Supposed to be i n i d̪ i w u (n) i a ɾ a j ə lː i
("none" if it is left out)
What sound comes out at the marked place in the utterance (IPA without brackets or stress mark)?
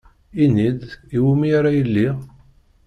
m